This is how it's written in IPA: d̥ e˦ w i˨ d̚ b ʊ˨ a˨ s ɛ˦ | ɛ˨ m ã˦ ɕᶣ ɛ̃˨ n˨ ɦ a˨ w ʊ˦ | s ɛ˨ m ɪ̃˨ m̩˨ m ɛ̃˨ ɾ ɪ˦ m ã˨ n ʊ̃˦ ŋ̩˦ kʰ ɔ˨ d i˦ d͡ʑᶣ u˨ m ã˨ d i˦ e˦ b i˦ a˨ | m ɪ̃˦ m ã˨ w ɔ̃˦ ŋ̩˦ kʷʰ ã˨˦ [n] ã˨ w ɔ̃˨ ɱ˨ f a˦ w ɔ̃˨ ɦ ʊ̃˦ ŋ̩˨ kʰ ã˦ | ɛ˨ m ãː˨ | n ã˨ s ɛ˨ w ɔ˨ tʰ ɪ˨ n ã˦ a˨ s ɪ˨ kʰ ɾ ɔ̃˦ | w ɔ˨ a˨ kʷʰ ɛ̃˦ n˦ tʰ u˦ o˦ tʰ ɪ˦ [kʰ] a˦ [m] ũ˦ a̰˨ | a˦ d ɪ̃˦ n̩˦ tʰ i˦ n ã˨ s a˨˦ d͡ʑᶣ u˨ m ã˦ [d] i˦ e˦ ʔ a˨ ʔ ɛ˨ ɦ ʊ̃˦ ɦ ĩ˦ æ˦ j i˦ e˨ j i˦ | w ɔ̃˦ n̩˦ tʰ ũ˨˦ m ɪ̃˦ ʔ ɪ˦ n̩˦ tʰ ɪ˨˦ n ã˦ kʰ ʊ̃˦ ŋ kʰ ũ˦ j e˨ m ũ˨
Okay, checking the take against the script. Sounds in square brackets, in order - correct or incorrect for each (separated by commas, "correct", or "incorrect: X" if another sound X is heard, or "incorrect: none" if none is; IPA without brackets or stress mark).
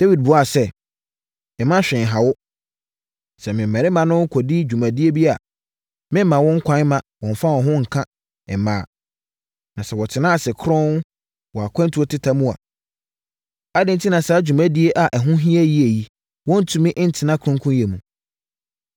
incorrect: m, incorrect: tʰ, correct, correct